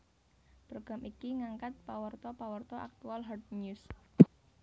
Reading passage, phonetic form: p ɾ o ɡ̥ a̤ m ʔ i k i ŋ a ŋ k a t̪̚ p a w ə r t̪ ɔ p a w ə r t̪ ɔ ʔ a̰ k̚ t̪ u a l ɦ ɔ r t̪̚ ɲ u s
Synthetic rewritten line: p ɾ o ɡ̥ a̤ m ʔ i k i ŋ a ŋ k a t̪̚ p a w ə r t̪ ɔ p a w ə r t̪ ɔ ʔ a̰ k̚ t̪ u a l ɦ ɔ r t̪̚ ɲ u s